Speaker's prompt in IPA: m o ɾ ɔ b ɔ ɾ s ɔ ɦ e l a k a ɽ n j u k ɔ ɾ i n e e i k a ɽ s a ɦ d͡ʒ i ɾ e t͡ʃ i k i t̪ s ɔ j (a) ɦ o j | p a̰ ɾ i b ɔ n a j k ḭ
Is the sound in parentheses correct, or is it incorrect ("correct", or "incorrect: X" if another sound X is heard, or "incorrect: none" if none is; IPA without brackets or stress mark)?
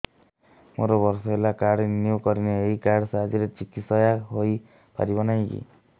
correct